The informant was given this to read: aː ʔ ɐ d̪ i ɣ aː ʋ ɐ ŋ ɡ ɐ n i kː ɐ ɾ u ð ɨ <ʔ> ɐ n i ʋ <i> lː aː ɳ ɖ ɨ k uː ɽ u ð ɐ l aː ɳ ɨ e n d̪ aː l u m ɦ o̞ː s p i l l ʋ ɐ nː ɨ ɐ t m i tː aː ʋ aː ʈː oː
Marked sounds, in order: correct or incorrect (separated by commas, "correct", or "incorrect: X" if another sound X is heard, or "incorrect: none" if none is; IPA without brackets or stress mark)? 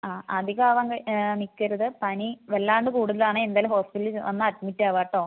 incorrect: p, incorrect: e